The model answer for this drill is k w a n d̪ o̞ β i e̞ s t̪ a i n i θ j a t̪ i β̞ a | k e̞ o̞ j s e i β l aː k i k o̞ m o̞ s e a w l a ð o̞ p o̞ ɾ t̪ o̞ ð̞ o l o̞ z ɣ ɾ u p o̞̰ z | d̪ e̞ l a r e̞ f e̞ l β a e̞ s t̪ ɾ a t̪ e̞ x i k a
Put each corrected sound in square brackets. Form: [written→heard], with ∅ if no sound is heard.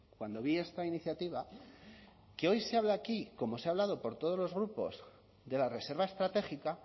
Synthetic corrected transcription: k w a n d̪ o̞ β i e̞ s t̪ a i n i θ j a t̪ i β̞ a | k e̞ o̞ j s e [i→a] β l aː k i k o̞ m o̞ s e a [w→β] l a ð o̞ p o̞ ɾ t̪ o̞ ð̞ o l o̞ z ɣ ɾ u p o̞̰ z | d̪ e̞ l a r e̞ [f→s] e̞ [l→ɾ] β a e̞ s t̪ ɾ a t̪ e̞ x i k a